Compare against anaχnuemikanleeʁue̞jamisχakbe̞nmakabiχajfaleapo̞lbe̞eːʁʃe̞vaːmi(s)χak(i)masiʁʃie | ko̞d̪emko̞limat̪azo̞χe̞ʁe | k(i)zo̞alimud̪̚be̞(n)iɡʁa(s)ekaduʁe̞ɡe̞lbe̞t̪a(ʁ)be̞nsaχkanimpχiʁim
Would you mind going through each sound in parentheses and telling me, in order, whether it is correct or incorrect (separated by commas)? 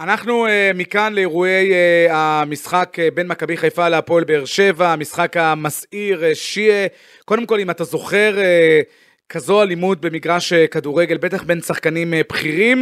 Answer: correct, incorrect, incorrect, incorrect, incorrect, incorrect